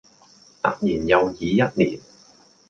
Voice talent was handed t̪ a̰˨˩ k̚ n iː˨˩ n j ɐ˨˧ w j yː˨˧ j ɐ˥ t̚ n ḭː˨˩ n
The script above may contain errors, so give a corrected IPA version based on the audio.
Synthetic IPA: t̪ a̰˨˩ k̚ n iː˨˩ n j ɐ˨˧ w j iː˨˧ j ɐ˥ t̚ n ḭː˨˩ n